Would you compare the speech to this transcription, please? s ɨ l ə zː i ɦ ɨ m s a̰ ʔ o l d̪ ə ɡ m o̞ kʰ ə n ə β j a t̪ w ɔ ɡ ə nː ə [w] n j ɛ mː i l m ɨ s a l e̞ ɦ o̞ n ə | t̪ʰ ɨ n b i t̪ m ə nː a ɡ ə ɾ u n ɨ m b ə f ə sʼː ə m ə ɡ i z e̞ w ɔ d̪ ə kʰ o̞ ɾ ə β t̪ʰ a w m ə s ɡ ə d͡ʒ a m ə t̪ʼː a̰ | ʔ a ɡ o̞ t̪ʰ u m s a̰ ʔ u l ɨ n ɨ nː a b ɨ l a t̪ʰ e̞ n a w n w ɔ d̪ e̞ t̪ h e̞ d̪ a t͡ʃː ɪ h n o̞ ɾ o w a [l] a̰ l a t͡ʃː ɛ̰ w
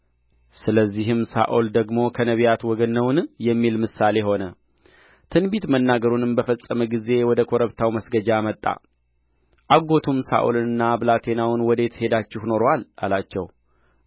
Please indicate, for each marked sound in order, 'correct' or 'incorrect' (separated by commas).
correct, correct